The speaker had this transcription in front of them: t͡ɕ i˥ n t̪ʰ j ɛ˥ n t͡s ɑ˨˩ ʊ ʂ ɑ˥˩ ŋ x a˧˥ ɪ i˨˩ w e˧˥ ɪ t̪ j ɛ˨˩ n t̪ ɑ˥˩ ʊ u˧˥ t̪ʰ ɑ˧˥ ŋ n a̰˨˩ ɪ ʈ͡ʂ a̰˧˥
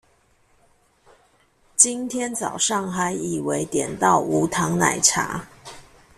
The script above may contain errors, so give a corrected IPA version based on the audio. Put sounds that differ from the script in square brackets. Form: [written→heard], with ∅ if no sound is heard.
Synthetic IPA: t͡ɕ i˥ n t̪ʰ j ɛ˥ n t͡s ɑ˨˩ ʊ ʂ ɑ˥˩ ŋ x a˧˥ ɪ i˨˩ w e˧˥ ɪ t̪ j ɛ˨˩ n t̪ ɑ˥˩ ʊ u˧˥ t̪ʰ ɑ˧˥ ŋ n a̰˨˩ ɪ [ʈ͡ʂ→ʈ͡ʂʰ] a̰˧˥